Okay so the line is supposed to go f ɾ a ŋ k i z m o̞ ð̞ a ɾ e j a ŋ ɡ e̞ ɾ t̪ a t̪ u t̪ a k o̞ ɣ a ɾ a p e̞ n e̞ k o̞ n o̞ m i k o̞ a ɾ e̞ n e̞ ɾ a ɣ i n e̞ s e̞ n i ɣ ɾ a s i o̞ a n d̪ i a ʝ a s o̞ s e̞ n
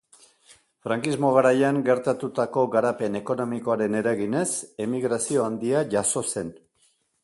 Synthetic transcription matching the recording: f ɾ a ŋ k i z m o̞ ɣ̞ a ɾ a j a ŋ ɡ e̞ ɾ t̪ a t̪ u t̪ a k o̞ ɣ a ɾ a p e̞ n e̞ k o̞ n o̞ m i k o̞ a ɾ e̞ n e̞ ɾ a ɣ i n e̞ s e̞ m i ɣ ɾ a s i o̞ a n d̪ i a ʝ a s o̞ s e̞ n